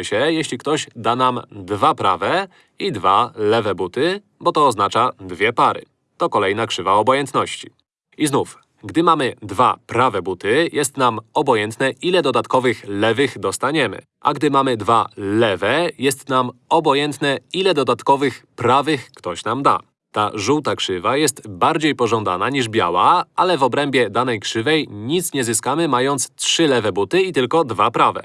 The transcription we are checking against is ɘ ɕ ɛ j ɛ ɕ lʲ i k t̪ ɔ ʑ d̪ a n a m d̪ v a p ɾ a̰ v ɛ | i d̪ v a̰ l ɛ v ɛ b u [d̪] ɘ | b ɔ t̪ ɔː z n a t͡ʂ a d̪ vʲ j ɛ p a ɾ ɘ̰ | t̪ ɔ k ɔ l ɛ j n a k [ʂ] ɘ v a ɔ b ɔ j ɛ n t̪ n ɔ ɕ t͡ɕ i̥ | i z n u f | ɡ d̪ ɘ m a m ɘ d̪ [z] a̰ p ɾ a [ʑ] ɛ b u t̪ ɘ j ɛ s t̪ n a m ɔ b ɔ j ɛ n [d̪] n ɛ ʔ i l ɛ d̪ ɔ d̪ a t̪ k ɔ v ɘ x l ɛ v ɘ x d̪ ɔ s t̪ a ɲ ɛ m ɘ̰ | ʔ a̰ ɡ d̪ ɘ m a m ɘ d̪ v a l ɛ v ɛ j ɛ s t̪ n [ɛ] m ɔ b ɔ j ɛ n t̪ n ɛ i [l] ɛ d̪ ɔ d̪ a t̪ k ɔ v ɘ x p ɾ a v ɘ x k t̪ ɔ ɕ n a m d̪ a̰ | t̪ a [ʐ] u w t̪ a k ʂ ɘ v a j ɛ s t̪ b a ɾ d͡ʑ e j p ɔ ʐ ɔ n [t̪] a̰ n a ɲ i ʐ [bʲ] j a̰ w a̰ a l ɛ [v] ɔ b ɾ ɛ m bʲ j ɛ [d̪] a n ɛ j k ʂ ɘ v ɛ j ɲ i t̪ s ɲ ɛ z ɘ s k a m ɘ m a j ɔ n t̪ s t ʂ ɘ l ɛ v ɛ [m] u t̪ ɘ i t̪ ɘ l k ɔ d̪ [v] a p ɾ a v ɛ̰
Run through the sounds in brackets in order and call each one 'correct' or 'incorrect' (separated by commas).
incorrect, correct, incorrect, incorrect, incorrect, incorrect, correct, correct, incorrect, correct, correct, correct, incorrect, correct